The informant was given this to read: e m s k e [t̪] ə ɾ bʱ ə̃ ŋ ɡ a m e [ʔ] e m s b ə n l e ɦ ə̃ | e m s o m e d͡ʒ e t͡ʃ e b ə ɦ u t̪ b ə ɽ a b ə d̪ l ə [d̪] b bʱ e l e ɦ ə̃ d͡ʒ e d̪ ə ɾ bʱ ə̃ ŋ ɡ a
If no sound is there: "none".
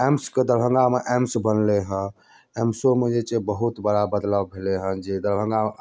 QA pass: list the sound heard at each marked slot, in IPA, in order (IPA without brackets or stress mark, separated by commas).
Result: d̪, ʔ, none